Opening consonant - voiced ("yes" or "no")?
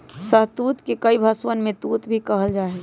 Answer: no